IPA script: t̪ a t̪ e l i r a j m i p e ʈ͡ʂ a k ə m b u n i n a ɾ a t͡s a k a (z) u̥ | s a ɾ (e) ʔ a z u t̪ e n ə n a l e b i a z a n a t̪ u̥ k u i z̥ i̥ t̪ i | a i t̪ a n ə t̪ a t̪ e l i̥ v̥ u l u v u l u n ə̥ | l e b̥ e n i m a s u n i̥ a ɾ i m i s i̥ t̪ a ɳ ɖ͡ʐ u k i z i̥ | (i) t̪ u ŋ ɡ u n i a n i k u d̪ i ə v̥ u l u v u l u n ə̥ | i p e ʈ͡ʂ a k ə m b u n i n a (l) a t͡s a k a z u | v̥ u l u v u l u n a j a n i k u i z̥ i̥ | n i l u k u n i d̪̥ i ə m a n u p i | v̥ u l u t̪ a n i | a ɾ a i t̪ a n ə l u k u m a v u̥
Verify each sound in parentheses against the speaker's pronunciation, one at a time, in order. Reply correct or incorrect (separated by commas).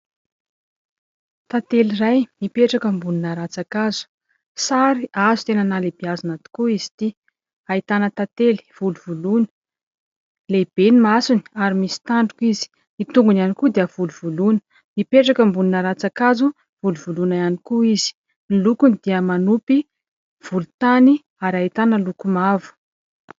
correct, incorrect, correct, incorrect